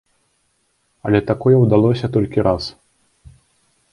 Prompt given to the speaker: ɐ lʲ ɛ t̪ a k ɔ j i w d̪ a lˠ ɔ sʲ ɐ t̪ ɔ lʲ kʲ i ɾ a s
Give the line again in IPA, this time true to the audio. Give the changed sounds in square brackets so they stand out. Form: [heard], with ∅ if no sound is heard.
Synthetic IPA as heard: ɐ lʲ ɛ t̪ a k ɔ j [ɛ] w d̪ a lˠ ɔ sʲ ɐ t̪ ɔ lʲ kʲ i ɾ a s